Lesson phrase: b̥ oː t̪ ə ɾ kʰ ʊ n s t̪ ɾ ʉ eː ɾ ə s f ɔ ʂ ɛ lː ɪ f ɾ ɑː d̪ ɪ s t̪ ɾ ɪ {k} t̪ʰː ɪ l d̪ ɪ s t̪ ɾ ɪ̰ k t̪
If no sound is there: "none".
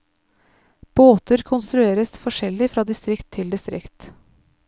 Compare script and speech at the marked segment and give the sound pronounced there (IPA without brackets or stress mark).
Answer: k